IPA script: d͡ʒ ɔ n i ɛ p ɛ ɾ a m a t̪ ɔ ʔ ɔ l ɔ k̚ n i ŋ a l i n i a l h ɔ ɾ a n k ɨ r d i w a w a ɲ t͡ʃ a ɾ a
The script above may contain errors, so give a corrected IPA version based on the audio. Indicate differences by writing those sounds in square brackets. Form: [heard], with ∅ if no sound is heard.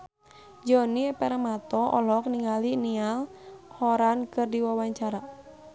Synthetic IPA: d͡ʒ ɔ n i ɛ p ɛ ɾ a m a t̪ ɔ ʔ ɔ l ɔ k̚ n i ŋ a l i n i a l h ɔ ɾ a n k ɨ r d i w a w a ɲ t͡ʃ a ɾ a